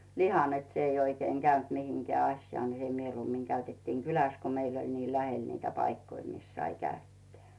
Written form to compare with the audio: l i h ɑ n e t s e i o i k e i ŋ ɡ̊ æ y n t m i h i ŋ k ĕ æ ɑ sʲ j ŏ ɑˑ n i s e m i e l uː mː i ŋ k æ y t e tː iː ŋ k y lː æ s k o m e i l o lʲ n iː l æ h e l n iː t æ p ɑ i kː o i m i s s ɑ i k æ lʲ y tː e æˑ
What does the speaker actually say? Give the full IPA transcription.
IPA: l i h ɑ n e t s e i o i k e i ŋ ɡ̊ æ y n t m i h i ŋ k ĕ æ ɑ sʲ j ŏ ɑˑ n i s e m i e l uː mː i ŋ k æ y t e tː iː ŋ k y l æ s k o m e i l o lʲ n iː l æ h e l n iː t æ p ɑ i kː o i m i s s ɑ i k æ y tː e æˑ